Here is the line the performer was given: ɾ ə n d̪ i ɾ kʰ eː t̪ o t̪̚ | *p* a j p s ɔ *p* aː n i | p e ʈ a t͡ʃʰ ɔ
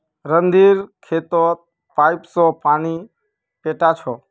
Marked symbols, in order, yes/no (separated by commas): yes, yes